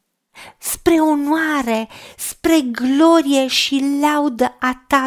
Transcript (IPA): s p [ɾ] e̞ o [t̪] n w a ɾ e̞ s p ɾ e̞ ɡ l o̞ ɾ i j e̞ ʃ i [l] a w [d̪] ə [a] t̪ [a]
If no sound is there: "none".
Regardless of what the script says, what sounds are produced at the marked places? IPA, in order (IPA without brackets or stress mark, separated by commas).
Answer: ɾ, none, l, d̪, a, a